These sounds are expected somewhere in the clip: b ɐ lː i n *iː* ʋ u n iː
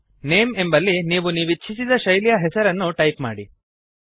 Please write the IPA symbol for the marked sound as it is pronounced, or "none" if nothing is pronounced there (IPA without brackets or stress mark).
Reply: iː